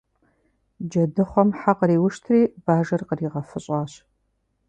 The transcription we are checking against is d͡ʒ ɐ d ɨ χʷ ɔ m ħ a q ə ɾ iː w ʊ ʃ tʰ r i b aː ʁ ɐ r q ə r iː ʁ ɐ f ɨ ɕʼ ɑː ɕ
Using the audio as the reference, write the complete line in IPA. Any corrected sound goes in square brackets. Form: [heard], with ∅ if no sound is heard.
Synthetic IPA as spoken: d͡ʒ ɐ d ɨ χʷ ɔ m ħ a q ə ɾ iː w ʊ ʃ tʰ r [iː] b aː [ʒ] ɐ r q ə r iː ʁ ɐ f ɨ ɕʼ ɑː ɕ